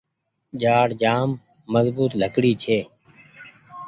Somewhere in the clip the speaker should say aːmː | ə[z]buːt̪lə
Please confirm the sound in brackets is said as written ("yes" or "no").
yes